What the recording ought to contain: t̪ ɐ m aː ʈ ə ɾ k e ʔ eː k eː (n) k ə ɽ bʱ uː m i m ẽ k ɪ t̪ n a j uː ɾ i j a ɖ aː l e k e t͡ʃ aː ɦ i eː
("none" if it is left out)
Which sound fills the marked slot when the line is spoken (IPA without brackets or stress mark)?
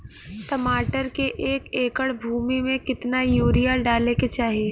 none